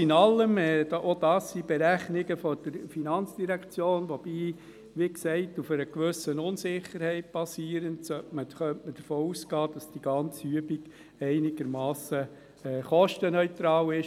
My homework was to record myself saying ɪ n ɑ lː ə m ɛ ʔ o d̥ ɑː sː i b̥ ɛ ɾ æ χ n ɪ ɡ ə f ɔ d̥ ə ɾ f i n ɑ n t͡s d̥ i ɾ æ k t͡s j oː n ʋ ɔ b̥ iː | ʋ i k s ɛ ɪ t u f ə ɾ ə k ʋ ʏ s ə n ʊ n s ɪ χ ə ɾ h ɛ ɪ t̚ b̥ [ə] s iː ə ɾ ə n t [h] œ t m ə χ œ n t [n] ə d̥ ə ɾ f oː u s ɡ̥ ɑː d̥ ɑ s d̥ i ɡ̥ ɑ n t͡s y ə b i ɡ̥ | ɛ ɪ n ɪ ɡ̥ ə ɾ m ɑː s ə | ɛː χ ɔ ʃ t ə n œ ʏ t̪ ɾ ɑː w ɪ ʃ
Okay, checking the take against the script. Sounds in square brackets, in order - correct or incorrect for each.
incorrect, incorrect, incorrect

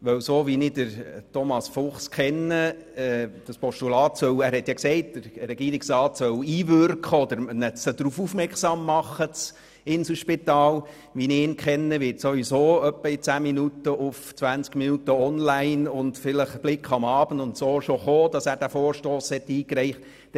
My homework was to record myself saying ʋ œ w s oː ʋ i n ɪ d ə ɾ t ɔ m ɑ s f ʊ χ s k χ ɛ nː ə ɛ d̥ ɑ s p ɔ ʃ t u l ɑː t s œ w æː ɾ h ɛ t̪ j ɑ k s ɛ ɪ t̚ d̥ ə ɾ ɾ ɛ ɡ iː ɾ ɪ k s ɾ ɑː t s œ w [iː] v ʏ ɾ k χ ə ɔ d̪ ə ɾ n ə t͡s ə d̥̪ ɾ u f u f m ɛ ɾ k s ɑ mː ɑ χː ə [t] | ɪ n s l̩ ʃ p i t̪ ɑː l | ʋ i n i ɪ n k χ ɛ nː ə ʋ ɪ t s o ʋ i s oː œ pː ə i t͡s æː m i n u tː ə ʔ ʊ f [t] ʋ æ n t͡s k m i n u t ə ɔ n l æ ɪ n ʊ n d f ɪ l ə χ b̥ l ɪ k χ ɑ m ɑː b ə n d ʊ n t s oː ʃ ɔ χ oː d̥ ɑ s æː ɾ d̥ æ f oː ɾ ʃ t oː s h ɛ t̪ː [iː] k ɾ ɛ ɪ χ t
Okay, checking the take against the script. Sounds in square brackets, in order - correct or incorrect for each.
correct, incorrect, incorrect, correct

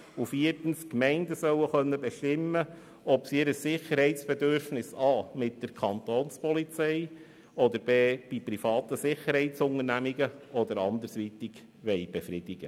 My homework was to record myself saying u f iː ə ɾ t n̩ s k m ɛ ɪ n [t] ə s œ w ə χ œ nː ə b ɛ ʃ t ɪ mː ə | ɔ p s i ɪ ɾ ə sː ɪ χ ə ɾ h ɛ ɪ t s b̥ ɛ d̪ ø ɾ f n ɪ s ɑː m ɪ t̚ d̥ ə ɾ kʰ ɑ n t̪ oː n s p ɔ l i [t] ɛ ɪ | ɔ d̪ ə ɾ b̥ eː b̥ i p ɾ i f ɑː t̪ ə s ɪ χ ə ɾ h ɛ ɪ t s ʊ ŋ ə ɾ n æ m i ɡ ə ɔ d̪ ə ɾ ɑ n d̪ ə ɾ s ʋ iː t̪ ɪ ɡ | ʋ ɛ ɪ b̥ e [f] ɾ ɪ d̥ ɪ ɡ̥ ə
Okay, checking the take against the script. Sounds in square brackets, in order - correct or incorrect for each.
incorrect, incorrect, correct

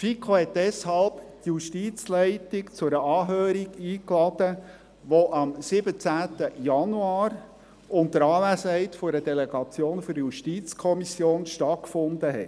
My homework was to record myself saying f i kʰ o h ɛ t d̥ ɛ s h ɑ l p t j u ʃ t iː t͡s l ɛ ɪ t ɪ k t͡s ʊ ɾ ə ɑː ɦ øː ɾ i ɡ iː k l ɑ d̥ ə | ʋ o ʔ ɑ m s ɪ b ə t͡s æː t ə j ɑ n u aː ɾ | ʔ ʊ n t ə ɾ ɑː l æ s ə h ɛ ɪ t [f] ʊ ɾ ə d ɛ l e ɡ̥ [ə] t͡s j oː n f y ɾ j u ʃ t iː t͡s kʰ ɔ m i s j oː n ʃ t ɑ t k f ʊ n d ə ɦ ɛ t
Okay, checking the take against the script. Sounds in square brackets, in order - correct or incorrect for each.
correct, incorrect

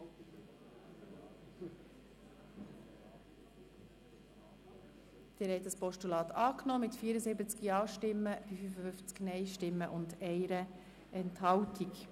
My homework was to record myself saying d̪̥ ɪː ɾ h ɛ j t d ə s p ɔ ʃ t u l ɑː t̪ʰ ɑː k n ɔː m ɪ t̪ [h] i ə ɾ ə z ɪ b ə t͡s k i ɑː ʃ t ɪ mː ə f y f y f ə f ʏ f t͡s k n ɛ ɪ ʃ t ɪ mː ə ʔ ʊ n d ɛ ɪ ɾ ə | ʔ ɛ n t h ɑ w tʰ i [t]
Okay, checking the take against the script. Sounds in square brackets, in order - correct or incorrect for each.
incorrect, incorrect

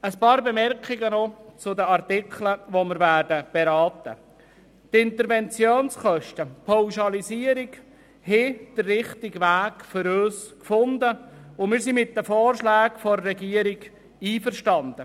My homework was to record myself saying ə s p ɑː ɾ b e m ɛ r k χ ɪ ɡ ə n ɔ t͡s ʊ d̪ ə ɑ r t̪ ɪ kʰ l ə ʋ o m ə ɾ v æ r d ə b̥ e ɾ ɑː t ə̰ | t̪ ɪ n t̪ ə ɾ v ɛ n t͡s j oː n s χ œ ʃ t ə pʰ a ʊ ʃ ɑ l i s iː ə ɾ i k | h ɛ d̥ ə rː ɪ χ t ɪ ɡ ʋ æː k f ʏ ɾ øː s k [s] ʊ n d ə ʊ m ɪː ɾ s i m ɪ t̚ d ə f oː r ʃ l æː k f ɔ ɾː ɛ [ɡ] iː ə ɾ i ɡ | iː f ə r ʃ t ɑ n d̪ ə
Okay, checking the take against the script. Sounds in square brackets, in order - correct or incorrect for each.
incorrect, correct

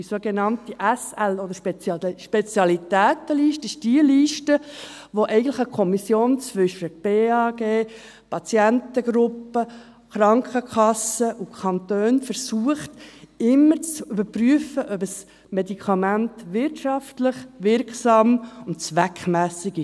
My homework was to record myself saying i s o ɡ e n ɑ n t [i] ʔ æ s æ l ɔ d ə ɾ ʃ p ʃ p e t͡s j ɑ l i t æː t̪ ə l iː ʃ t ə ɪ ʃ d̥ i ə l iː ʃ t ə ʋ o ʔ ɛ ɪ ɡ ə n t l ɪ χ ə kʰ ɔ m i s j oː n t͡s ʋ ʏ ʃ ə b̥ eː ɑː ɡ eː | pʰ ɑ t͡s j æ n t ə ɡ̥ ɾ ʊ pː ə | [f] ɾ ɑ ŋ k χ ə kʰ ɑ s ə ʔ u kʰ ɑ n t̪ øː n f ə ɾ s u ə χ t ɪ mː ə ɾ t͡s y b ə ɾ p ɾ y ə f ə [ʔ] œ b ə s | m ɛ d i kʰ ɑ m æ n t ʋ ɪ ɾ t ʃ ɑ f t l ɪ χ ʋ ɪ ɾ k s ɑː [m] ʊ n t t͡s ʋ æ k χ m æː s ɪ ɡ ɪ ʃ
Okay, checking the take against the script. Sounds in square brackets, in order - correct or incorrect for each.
correct, incorrect, correct, correct

